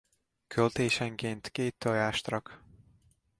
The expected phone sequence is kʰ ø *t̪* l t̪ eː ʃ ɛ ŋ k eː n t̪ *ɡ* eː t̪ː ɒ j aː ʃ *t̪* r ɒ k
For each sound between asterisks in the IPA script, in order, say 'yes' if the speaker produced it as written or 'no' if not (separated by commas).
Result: no, no, yes